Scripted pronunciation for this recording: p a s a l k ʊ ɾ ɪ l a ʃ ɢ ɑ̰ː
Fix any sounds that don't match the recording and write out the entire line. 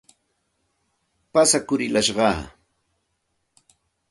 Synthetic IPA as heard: p a s a k ʊ ɾ ɪ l a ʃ ɢ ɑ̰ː